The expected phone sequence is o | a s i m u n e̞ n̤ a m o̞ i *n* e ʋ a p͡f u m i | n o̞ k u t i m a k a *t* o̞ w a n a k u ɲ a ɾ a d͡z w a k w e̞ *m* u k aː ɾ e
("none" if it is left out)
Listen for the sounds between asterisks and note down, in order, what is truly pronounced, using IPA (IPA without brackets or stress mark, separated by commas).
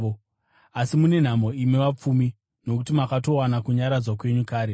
m, t, ɲ